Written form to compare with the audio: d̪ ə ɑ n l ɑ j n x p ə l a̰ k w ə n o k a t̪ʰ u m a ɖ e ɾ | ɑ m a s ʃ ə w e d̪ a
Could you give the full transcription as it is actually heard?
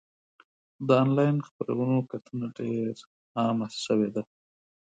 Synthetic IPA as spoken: d̪ ə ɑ n l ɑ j n x p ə ɾ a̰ w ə n o k a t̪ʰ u n a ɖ e ɾ | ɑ m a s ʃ ə w e d̪ a